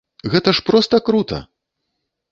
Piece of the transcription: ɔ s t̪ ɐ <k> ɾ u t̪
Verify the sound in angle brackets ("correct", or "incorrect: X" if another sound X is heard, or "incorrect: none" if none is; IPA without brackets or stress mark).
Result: correct